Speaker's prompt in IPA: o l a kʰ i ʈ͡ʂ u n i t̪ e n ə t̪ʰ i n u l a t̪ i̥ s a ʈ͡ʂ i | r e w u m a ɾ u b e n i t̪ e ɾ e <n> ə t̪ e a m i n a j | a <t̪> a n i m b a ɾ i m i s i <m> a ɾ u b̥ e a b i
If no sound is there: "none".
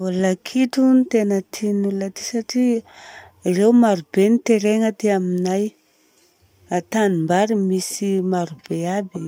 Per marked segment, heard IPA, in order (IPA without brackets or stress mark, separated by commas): ŋ, t̪, m